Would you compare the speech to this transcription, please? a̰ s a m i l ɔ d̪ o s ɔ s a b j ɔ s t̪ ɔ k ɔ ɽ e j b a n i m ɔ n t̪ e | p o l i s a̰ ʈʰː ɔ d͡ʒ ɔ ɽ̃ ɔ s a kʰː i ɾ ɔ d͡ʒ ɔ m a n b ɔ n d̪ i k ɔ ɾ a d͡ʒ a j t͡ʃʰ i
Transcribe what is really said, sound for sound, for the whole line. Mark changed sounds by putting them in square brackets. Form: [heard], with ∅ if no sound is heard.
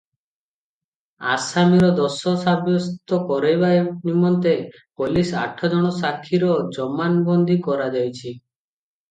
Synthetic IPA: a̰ s a m i [ɾ] ɔ d̪ [ɔ] s ɔ s a b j ɔ s t̪ ɔ k ɔ [ɾ] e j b a n i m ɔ n t̪ e | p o l i s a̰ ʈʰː ɔ d͡ʒ ɔ ɽ̃ ɔ s a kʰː i ɾ ɔ d͡ʒ ɔ m a n b ɔ n d̪ i k ɔ ɾ a d͡ʒ a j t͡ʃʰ i